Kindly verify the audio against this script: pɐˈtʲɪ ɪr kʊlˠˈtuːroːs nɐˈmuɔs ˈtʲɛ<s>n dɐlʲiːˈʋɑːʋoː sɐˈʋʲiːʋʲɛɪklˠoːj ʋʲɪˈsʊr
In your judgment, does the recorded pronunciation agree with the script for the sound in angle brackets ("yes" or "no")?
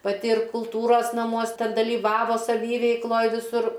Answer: no